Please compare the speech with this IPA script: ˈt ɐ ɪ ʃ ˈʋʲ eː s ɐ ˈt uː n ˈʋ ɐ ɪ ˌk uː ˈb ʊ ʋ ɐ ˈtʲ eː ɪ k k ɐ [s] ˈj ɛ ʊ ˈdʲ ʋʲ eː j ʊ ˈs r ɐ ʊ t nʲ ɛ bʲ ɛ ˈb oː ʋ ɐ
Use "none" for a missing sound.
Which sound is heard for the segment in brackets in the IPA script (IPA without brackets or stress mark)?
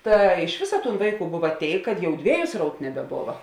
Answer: t